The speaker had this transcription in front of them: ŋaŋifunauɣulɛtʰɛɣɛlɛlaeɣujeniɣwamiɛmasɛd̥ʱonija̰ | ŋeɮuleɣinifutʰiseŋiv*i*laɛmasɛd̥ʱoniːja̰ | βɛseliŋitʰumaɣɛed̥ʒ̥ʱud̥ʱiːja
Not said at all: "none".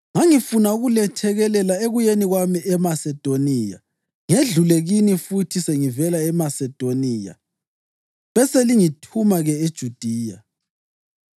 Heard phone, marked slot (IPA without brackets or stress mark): ɛ